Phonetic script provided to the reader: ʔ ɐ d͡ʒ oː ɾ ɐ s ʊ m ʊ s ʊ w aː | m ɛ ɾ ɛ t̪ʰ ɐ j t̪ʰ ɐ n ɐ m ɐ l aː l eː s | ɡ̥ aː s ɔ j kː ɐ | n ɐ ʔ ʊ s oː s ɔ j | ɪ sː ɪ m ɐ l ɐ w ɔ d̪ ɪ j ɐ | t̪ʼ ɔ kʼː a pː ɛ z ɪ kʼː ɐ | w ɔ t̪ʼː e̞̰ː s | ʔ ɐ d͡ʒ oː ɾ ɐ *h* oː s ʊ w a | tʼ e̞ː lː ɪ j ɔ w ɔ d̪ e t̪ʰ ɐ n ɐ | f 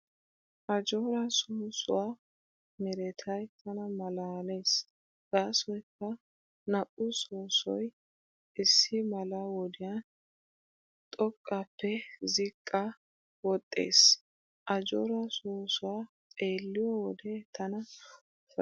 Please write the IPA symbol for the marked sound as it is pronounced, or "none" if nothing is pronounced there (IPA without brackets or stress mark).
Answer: s